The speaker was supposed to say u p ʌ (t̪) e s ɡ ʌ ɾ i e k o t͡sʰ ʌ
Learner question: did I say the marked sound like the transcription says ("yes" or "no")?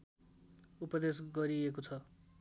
no